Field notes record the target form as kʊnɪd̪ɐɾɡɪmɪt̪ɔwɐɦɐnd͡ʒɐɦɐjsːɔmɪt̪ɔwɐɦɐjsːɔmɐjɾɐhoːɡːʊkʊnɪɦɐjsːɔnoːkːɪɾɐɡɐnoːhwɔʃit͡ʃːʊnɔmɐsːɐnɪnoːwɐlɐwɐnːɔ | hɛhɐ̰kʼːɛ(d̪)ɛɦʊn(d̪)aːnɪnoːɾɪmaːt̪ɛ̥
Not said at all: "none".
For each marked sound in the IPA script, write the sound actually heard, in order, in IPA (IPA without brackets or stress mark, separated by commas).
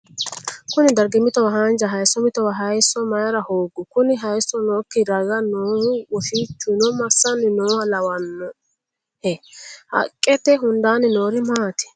t̪, d̪